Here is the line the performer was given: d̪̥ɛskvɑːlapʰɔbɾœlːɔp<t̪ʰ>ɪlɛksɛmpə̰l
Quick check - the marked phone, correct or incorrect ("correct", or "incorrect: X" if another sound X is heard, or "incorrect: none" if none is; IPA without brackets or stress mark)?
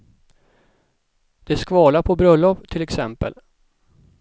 correct